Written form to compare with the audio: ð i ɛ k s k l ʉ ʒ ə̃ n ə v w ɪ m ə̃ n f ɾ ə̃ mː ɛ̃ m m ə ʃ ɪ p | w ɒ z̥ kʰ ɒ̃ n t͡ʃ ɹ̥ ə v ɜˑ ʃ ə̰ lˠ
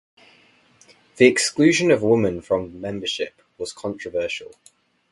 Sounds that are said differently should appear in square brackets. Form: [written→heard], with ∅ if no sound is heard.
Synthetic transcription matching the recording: ð i ɛ k s k l [ʉ→ʉː] ʒ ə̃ n ə v w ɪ m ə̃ n f [ɾ→ɹ] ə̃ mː ɛ̃ m [m→b] ə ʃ ɪ p | w ɒ z̥ kʰ ɒ̃ n t͡ʃ ɹ̥ ə v ɜˑ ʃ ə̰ lˠ